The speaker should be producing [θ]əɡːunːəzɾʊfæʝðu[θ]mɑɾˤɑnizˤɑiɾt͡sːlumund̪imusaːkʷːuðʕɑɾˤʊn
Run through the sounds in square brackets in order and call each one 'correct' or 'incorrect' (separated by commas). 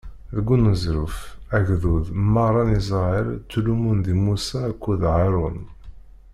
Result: incorrect, incorrect